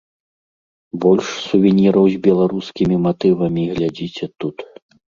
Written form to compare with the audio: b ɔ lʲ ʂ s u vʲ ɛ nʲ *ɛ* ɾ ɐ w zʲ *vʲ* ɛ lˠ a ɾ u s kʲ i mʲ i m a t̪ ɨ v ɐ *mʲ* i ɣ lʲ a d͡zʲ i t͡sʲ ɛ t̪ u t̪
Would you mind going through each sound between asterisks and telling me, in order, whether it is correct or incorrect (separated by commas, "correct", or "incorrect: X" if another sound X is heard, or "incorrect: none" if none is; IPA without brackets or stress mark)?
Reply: incorrect: i, incorrect: bʲ, correct